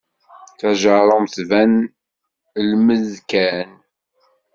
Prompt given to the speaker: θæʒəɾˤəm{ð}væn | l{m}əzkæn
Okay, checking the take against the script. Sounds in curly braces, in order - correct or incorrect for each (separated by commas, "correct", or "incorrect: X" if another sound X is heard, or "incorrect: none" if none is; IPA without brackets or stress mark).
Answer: incorrect: θ, correct